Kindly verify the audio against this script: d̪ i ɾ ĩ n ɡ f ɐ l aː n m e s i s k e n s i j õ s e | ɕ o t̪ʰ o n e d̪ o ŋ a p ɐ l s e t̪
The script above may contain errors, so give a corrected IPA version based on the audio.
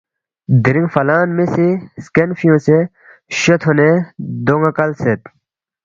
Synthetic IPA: d̪ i ɾ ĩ ŋ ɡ f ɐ l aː n m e s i s k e n f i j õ s e | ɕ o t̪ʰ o n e d̪ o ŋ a k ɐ l s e t̪

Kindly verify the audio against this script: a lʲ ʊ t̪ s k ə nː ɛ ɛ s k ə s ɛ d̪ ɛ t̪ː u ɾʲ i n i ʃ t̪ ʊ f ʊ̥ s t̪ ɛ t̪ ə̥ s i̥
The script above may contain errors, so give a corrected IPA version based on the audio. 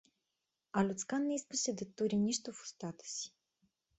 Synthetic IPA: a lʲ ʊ t̪ s k a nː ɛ i s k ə s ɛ d̪ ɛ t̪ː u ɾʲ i n i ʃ t̪ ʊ f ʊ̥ s t̪ a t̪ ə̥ s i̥

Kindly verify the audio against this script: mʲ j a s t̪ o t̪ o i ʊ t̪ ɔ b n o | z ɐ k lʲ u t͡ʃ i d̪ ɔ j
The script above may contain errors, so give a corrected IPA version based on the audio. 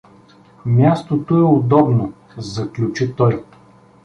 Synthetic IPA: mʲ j a s t̪ o t̪ o ɛ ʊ d̪ ɔ b n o | z ɐ k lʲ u t͡ʃ i t̪ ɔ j

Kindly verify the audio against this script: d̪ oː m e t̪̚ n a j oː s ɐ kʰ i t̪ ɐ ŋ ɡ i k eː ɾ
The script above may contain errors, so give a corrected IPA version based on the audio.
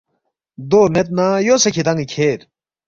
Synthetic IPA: d̪ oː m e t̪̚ n a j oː s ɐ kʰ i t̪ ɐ ŋ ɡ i kʰ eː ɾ

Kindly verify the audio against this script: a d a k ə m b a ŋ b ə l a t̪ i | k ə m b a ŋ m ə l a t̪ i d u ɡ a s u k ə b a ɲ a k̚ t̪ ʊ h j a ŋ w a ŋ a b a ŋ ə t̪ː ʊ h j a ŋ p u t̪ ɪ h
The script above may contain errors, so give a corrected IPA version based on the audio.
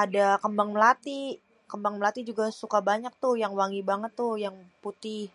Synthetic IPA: a d a k ə m b a ŋ m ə l a t̪ i | k ə m b a ŋ m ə l a t̪ i d͡ʒ u ɡ a s u k a b a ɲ a k̚ t̪ ʊ h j a ŋ w a ŋ i b a ŋ ə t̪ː ʊ h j a ŋ p u t̪ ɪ h

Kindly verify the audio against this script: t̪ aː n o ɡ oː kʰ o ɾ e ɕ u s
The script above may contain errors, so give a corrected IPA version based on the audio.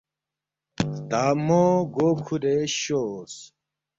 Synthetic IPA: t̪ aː m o ɡ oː kʰ u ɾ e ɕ o s

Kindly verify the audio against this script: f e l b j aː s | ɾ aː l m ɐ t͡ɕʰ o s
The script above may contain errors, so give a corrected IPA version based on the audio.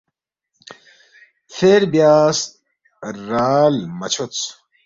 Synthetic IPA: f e ɾ b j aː s | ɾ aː l m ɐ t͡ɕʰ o t͡s

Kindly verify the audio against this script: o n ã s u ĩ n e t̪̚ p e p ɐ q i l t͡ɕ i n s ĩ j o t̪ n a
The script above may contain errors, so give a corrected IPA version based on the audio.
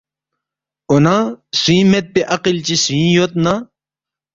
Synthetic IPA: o n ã s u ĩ m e t̪̚ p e ʔ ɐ q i l t͡ɕ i s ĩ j o t̪ n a

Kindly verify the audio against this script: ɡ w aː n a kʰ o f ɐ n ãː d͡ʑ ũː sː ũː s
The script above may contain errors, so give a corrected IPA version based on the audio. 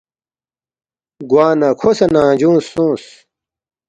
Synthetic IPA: ɡ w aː n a kʰ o s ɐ n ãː d͡ʑ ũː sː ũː s

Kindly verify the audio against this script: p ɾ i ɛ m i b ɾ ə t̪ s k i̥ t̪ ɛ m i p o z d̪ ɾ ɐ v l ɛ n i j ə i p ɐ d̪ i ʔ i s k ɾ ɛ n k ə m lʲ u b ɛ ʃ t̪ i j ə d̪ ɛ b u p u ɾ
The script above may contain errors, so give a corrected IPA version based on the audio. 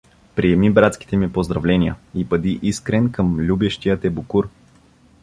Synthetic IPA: p ɾ i ɛ m i b ɾ a t̪ s k i̥ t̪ ɛ m i p o z d̪ ɾ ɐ v l ɛ n i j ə i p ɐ d̪ i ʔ i s k ɾ ɛ n k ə m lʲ u b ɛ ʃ t̪ i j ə t̪ ɛ b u k u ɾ

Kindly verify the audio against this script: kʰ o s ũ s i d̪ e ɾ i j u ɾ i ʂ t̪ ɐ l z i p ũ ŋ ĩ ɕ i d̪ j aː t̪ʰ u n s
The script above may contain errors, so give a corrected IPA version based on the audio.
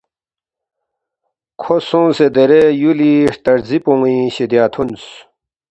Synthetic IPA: kʰ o s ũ s e d̪ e ɾ e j u l i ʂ t̪ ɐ ɾ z i p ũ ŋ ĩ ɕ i d̪ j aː t̪ʰ u n s

